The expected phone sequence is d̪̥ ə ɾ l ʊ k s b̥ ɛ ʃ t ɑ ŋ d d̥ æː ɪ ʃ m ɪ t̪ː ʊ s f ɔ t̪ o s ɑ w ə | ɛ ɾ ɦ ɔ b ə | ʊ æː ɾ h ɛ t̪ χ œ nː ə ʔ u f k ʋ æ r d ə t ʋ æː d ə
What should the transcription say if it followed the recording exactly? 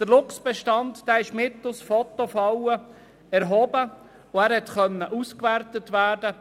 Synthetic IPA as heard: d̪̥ ə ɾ l ʊ k s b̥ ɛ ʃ t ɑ n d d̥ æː ɪ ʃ m ɪ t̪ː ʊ s f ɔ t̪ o f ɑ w ə | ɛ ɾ ɦ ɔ b ə | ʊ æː ɾ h ɛ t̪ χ œ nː ə ʔ u s k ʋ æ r t ə t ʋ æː d ə